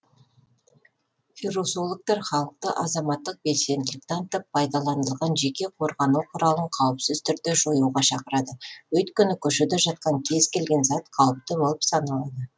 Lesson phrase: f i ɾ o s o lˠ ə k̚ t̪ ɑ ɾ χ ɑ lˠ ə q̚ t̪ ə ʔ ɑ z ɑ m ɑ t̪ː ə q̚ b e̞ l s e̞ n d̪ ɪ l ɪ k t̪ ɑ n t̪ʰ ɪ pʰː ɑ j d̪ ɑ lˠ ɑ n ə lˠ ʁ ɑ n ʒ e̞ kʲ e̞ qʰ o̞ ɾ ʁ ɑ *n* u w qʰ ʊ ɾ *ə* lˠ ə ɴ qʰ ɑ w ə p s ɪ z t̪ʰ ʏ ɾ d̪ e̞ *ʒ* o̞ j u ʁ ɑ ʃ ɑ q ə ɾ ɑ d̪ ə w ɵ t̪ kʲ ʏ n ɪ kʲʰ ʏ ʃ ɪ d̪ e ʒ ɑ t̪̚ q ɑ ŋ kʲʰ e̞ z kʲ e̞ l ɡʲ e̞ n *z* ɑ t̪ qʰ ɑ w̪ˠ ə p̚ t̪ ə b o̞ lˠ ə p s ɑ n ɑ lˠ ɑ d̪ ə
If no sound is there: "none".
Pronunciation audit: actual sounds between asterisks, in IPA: n, ɑ, ʒ, z

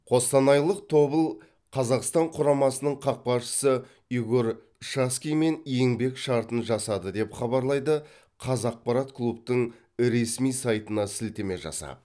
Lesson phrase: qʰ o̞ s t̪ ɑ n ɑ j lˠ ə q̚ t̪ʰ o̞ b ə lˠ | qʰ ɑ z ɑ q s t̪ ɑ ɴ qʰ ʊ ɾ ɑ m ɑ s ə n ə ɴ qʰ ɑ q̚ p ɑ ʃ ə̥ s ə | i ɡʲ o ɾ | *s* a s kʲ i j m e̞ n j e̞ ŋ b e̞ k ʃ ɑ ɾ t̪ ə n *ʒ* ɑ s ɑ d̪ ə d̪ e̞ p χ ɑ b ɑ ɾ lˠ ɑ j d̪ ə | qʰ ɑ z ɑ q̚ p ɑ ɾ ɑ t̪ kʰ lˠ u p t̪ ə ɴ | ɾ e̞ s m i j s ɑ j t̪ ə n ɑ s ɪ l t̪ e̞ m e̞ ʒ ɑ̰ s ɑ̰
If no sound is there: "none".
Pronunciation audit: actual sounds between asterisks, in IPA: ʃ, ʒ

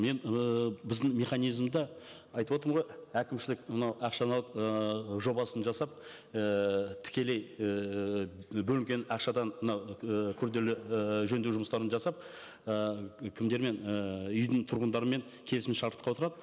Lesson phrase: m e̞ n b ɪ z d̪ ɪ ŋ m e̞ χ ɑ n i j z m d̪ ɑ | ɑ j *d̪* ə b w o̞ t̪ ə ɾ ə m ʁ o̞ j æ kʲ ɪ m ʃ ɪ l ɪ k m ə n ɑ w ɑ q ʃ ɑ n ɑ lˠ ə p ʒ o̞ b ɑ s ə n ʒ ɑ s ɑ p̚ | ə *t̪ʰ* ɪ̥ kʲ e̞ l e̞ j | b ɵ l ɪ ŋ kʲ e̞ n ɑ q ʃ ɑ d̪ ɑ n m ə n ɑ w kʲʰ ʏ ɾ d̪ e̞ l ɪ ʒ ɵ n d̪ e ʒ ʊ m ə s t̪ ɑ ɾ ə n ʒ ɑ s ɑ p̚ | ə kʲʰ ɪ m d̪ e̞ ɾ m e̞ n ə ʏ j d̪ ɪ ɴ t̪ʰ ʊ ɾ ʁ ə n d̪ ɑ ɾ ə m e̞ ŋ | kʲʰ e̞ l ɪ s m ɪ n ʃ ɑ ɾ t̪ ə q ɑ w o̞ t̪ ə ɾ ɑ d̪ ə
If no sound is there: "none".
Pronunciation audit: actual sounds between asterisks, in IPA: t̪, t̪ʰ

